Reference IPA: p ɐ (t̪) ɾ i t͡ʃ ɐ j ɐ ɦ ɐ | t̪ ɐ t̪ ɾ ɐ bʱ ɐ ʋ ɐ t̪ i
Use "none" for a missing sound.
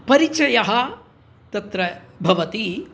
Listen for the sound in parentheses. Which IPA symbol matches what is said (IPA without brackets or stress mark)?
none